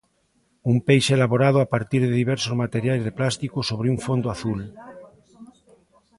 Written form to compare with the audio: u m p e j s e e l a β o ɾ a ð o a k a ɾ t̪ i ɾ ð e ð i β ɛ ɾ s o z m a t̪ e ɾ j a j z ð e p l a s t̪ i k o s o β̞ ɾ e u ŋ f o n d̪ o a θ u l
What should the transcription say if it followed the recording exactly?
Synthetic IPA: u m p e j ʃ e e l a β o ɾ a ð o a p a ɾ t̪ i ɾ ð e ð i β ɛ ɾ s o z m a t̪ e ɾ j a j z ð e p l a s t̪ i k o s o β̞ ɾ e u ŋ f o n d̪ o a θ u l